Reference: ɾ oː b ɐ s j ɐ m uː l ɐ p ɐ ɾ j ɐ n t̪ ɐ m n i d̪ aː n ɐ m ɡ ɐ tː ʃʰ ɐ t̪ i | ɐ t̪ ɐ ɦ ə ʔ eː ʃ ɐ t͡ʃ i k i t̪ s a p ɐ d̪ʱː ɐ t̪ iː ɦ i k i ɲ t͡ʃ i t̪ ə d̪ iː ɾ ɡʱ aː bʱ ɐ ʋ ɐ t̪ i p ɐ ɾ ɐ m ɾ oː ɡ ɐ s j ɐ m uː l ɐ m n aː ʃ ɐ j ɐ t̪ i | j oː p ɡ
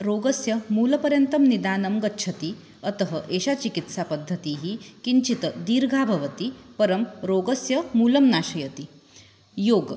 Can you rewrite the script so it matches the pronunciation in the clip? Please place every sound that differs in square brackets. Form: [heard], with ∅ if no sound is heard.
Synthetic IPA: ɾ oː [ɡ] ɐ s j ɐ m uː l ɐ p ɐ ɾ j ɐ n t̪ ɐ m n i d̪ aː n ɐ m ɡ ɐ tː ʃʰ ɐ t̪ i | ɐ t̪ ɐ ɦ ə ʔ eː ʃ [a] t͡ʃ i k i t̪ s a p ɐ d̪ʱː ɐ t̪ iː ɦ i k i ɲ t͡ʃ i t̪ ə d̪ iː ɾ ɡʱ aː bʱ ɐ ʋ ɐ t̪ i p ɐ ɾ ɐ m ɾ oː ɡ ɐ s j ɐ m uː l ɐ m n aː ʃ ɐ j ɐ t̪ i | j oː [∅] ɡ

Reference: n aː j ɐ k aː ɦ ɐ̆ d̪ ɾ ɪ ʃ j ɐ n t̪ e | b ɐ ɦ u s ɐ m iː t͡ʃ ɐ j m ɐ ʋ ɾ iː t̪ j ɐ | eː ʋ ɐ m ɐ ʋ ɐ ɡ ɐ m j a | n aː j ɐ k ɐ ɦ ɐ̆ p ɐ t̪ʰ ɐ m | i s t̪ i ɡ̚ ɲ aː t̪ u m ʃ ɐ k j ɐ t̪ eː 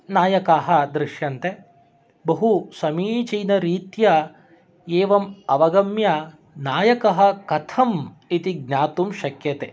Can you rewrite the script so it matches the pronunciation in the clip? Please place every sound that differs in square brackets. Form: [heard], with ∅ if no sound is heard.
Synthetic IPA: n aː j ɐ k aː ɦ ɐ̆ d̪ ɾ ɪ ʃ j ɐ n t̪ e | b ɐ ɦ u s ɐ m iː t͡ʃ ɐ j [n] ɐ [∅] ɾ iː t̪ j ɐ | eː ʋ ɐ m ɐ ʋ ɐ ɡ ɐ m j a | n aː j ɐ k ɐ ɦ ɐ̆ [k] ɐ t̪ʰ ɐ m | i [∅] t̪ i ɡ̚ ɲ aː t̪ u m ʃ ɐ k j ɐ t̪ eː

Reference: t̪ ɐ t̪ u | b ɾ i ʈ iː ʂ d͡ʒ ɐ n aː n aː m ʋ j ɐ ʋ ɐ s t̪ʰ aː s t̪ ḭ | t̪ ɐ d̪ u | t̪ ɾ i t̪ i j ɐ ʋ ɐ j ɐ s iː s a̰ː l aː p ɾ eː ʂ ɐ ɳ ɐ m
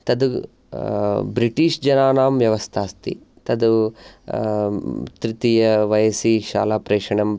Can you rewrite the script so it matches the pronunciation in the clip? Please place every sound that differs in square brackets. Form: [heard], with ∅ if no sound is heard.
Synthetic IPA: t̪ ɐ [d̪] u | b ɾ i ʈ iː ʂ d͡ʒ ɐ n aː n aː m ʋ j ɐ ʋ ɐ s t̪ʰ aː s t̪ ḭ | t̪ ɐ d̪ u | t̪ ɾ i t̪ i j ɐ ʋ ɐ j ɐ s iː [ʃ] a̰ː l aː p ɾ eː ʂ ɐ ɳ ɐ m

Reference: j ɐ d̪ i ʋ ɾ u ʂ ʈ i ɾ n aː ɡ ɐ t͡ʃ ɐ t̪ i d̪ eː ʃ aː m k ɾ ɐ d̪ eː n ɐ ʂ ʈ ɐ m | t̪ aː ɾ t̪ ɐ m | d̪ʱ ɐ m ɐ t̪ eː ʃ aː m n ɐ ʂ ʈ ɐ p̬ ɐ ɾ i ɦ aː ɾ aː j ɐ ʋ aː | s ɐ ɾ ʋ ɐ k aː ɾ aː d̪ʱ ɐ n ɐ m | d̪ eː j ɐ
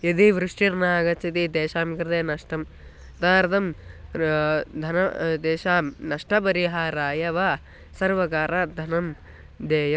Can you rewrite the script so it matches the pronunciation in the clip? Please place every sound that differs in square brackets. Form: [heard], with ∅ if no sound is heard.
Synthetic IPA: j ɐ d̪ i ʋ ɾ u ʂ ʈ i ɾ n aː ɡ ɐ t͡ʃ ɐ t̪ i d̪ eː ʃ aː m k ɾ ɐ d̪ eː n ɐ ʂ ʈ ɐ m | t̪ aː ɾ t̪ ɐ m | d̪ʱ ɐ [n] ɐ [d̪] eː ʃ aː m n ɐ ʂ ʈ ɐ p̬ ɐ ɾ i ɦ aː ɾ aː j ɐ ʋ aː | s ɐ ɾ ʋ ɐ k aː ɾ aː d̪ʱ ɐ n ɐ m | d̪ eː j ɐ

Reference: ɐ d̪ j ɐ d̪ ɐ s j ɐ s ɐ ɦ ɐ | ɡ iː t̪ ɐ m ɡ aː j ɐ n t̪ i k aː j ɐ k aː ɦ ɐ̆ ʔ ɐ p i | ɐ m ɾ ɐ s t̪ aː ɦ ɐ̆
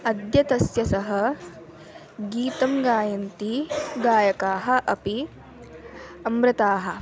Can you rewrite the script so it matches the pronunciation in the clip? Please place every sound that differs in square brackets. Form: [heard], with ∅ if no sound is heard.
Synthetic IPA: ɐ d̪ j ɐ [t̪] ɐ s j ɐ s ɐ ɦ ɐ | ɡ iː t̪ ɐ m ɡ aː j ɐ n t̪ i [ɡ] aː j ɐ k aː ɦ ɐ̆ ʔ ɐ p i | ɐ m ɾ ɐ [∅] t̪ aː ɦ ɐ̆

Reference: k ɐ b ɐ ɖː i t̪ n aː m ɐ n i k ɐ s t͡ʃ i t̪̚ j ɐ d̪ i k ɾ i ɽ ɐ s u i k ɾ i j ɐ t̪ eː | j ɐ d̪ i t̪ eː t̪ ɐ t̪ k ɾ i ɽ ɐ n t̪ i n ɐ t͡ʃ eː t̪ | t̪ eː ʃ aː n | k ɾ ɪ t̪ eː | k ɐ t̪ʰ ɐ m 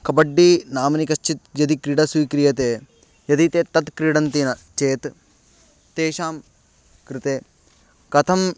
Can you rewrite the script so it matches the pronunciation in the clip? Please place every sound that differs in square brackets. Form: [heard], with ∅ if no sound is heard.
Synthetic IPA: k ɐ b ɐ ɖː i [∅] n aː m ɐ n i k ɐ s t͡ʃ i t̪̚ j ɐ d̪ i k ɾ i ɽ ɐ s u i k ɾ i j ɐ t̪ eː | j ɐ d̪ i t̪ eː t̪ ɐ t̪ k ɾ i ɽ ɐ n t̪ i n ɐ t͡ʃ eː t̪ | t̪ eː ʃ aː [m] | k ɾ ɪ t̪ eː | k ɐ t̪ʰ ɐ m

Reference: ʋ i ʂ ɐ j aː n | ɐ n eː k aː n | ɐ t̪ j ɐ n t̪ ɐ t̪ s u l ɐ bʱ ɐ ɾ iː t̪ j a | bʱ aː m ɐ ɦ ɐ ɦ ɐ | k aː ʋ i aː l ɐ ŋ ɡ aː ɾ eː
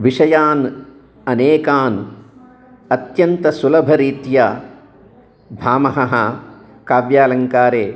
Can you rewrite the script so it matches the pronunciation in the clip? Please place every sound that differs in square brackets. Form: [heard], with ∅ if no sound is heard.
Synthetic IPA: ʋ i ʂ ɐ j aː n | ɐ n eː k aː n | ɐ t̪ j ɐ n t̪ ɐ [∅] s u l ɐ bʱ ɐ ɾ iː t̪ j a | bʱ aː m ɐ ɦ ɐ ɦ ɐ | k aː ʋ [j] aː l ɐ ŋ [k] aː ɾ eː

